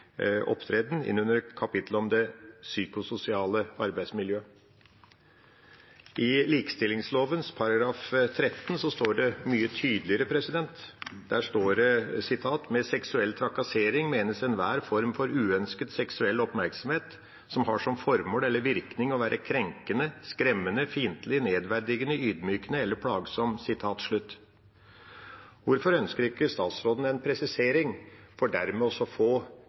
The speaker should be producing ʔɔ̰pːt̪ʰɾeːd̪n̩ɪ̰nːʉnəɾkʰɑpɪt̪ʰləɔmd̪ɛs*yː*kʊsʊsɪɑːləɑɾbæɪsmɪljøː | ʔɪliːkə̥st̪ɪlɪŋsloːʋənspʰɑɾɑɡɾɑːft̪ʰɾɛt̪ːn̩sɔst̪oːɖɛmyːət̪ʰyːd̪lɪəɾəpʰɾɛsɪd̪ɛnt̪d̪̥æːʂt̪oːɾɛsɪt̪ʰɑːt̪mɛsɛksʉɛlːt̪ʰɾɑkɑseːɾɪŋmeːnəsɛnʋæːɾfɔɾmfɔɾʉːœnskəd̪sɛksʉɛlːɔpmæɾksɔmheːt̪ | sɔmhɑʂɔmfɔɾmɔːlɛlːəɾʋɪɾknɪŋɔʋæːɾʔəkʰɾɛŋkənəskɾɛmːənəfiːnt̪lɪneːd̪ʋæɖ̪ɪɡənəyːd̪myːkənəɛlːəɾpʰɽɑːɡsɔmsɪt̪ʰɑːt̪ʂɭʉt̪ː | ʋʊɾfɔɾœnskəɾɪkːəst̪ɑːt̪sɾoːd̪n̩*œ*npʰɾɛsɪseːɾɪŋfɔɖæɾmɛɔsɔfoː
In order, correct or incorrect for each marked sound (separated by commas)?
correct, incorrect